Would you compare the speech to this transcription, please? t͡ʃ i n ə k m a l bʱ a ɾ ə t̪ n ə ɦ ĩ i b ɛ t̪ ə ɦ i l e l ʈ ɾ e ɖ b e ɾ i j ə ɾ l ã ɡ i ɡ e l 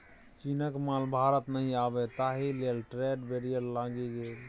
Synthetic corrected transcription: t͡ʃ i n ə k m a l bʱ a ɾ ə t̪ n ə ɦ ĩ a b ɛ t̪ a ɦ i l e l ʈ ɾ e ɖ b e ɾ i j ə ɾ l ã ɡ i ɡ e l